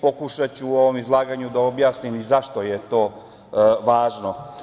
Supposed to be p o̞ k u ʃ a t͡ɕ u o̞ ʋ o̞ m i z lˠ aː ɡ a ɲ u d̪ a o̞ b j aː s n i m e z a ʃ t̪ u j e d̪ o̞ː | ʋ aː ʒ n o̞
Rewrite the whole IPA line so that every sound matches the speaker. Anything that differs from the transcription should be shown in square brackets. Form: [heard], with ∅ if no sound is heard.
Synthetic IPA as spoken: p o̞ k u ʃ a t͡ɕ u o̞ ʋ o̞ m i z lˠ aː ɡ a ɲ u d̪ a o̞ b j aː s n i m [i] z a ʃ t̪ [o] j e [t̪] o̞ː | ʋ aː ʒ n o̞